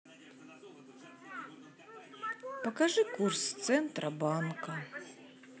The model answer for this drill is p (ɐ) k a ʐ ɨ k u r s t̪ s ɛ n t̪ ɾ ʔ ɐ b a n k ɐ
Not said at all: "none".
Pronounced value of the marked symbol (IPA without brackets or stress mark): ɐ